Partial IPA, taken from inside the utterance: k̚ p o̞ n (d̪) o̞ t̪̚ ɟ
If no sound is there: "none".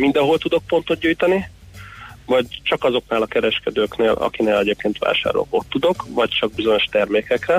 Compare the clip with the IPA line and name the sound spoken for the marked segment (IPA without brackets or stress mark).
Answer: t̪